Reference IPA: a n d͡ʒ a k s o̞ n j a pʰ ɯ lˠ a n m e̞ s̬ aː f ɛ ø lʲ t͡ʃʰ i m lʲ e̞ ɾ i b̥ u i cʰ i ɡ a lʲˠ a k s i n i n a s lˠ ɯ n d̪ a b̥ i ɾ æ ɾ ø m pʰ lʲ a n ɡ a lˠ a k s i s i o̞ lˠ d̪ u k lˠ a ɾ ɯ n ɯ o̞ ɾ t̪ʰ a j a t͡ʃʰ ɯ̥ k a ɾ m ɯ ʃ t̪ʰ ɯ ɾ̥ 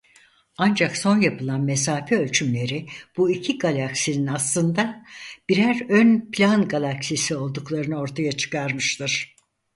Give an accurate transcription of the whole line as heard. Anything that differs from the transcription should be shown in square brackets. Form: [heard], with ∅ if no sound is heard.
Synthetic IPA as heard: a n d͡ʒ a k s o̞ n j a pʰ ɯ lˠ a n m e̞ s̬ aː f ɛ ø lʲ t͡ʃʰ [y] m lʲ e̞ ɾ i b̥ u i cʰ i ɡ a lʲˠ a k s i n i n a s lˠ ɯ n d̪ a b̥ i ɾ æ ɾ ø [n] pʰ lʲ a n ɡ a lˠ a k s i s i o̞ lˠ d̪ u k lˠ a ɾ ɯ n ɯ o̞ ɾ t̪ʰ a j a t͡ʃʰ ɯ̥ k a ɾ m ɯ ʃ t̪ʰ ɯ ɾ̥